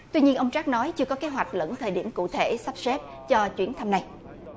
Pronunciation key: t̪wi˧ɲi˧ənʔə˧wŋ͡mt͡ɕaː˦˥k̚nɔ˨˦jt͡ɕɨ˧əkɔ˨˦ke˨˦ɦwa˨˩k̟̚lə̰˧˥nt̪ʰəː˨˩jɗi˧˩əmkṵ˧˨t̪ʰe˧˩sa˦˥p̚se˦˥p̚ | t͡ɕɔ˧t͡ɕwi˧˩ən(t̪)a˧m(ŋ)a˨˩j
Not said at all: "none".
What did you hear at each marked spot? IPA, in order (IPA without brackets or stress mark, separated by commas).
t̪ʰ, n